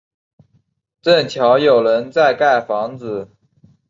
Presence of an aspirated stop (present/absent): present